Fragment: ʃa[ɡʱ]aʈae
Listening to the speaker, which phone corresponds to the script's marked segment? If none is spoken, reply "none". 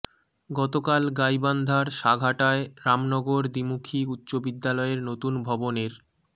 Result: ɡʱ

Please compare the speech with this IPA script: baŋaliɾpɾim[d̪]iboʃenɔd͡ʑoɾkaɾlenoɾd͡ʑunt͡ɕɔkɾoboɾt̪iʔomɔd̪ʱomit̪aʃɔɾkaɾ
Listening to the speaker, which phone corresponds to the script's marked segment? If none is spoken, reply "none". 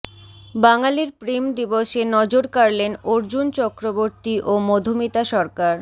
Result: d̪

